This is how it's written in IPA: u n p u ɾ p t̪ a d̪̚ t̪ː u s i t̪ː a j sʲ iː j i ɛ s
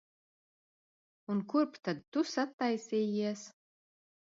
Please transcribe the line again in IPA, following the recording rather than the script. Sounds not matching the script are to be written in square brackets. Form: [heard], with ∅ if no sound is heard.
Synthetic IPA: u n [k] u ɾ p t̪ a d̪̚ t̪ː u s [a] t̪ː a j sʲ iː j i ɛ s